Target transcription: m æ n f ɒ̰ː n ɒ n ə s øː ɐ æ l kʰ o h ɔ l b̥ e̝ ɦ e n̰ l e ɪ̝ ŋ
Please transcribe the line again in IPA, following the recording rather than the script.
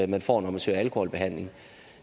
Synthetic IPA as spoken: m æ n f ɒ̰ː n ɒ m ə s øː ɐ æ l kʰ o h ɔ l b̥ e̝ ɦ æ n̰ l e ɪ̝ ŋ